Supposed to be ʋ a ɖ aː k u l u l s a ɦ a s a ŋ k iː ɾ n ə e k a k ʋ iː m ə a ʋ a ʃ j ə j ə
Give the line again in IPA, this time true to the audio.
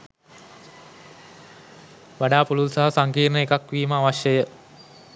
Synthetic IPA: ʋ a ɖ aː p u l u l s a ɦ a s a ŋ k iː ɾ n ə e k a k ʋ iː m ə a ʋ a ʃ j ə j ə